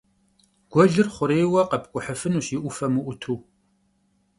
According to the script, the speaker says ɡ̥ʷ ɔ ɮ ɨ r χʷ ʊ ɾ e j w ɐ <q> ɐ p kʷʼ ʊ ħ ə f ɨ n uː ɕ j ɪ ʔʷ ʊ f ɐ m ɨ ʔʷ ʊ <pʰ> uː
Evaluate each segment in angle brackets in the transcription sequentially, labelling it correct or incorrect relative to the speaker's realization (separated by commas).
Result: correct, incorrect